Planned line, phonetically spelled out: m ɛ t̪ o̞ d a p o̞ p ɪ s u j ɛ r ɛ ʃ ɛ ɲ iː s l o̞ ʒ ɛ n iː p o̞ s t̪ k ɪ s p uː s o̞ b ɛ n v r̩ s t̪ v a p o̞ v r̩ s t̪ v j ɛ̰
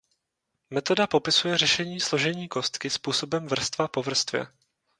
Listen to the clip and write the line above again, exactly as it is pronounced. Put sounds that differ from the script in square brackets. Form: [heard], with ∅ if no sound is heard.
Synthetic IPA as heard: m ɛ t̪ o̞ d a p o̞ p ɪ s u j ɛ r ɛ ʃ ɛ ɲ iː s l o̞ ʒ ɛ [ɲ] iː [k] o̞ s t̪ k ɪ s p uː s o̞ b ɛ [m] v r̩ s t̪ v a p o̞ v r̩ s t̪ v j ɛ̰